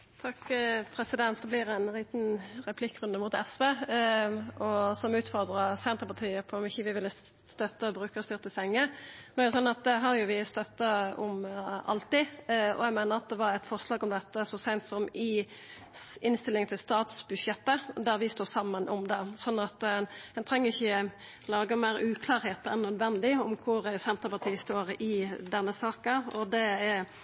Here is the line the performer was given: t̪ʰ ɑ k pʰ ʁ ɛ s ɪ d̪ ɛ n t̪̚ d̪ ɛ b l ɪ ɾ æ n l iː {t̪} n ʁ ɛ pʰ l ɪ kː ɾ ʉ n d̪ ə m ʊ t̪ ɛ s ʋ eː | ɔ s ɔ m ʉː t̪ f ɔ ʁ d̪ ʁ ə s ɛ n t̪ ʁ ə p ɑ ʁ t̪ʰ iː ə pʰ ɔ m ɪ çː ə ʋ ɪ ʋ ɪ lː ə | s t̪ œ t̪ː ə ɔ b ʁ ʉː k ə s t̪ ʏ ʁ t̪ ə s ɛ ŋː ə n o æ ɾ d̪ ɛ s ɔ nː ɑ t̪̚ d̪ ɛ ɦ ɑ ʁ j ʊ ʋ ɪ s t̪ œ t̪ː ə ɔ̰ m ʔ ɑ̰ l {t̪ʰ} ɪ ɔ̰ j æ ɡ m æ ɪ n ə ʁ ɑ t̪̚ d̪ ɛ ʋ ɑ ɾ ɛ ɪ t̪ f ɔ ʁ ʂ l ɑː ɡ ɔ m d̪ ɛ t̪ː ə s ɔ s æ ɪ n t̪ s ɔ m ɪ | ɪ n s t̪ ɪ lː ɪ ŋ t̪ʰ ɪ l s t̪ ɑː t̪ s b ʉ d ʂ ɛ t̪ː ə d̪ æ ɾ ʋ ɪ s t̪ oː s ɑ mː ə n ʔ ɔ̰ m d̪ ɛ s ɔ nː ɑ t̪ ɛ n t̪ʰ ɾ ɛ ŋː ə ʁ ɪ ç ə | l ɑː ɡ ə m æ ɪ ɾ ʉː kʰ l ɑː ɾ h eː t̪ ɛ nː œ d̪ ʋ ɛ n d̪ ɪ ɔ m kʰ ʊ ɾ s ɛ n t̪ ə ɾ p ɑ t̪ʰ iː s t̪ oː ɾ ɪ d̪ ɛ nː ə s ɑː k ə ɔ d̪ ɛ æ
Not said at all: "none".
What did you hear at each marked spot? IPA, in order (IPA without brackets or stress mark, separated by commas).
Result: t̪, t̪